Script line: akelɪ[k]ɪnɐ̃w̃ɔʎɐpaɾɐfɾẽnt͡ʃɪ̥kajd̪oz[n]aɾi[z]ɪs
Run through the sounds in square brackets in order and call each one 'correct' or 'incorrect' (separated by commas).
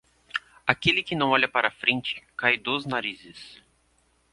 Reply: correct, correct, correct